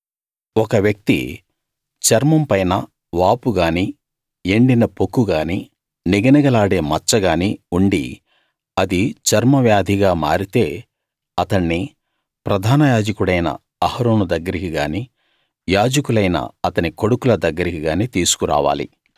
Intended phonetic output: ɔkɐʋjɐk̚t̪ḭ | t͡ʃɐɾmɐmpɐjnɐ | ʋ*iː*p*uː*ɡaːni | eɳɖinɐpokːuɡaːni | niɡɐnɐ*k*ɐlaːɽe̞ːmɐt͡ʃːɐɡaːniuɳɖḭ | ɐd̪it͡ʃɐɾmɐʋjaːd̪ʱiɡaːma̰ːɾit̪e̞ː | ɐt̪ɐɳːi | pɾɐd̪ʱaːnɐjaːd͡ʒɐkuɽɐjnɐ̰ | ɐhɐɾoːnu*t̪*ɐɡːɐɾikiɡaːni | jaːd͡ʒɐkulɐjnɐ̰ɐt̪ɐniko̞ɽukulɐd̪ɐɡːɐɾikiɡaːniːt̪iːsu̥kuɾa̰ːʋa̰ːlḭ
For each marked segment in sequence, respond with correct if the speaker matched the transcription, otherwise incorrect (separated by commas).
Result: incorrect, incorrect, incorrect, incorrect